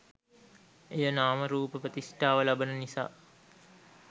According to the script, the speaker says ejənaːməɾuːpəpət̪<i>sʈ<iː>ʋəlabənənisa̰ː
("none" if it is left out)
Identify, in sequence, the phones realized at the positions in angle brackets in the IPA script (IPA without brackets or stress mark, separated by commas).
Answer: i, aː